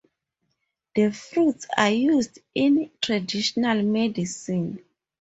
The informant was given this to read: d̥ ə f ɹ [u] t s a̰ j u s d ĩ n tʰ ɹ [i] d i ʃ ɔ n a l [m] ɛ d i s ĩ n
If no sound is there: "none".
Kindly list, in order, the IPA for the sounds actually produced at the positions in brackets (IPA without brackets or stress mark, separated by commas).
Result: u, a, m